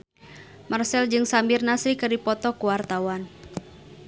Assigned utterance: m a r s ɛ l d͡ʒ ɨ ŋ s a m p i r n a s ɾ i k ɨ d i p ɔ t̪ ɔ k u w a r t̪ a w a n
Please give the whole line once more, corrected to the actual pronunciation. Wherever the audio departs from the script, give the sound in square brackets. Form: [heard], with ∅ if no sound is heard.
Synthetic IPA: m a r s ɛ l d͡ʒ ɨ ŋ s a m [b] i r n a s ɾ i k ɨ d i p ɔ t̪ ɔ k u w a r t̪ a w a n